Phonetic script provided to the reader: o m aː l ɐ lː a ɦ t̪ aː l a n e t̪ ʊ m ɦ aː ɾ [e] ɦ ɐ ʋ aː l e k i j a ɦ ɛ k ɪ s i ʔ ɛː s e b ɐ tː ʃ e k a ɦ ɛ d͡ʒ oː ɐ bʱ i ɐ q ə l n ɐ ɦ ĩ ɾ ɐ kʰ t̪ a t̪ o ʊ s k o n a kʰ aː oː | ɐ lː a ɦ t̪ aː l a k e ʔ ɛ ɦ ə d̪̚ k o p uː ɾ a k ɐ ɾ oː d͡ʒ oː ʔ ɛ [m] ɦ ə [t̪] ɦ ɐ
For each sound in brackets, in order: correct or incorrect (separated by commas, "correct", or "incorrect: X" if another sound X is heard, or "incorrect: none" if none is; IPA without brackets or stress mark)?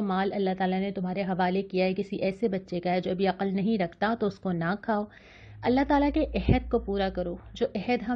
correct, incorrect: none, incorrect: d̪